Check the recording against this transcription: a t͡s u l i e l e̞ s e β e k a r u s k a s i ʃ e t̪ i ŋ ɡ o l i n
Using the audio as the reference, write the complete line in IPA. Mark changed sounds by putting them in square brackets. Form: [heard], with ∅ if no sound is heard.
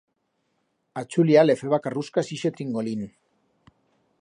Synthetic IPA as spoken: a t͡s u l i [a] l e̞ [f] e β [a] k a r u s k a s i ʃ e t̪ i ŋ ɡ o l i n